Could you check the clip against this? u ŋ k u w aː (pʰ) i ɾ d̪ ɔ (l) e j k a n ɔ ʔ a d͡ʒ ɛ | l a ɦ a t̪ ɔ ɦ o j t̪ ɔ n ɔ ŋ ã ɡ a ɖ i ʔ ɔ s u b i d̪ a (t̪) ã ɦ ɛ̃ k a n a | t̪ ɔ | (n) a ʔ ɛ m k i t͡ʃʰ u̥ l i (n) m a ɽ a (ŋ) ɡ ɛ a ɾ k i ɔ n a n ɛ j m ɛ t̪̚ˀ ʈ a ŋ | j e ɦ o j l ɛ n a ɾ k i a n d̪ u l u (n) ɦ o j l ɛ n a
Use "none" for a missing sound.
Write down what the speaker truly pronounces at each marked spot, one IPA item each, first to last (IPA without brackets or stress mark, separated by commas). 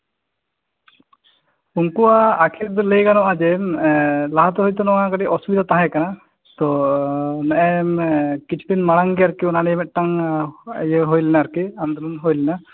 kʰ, l, t̪, n, n, ŋ, n